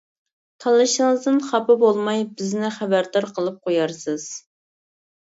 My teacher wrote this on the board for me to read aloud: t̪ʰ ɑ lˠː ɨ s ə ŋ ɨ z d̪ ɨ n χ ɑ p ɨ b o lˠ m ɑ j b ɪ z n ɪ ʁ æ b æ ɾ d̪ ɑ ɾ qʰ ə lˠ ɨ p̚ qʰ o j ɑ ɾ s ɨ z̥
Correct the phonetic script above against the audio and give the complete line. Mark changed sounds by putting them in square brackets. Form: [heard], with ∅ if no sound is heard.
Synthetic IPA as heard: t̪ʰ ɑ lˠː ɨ [ʃ] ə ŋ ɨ z d̪ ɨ n χ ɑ p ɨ b o lˠ m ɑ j b ɪ z n ɪ [χ] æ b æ ɾ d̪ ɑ ɾ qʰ ə lˠ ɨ p̚ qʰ o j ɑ ɾ s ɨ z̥